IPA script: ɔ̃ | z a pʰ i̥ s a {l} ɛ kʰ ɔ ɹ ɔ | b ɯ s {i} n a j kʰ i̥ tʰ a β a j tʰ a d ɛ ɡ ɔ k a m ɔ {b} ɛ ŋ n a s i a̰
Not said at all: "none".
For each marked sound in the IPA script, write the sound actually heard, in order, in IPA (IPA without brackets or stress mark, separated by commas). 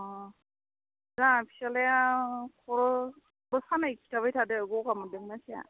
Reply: l, a, d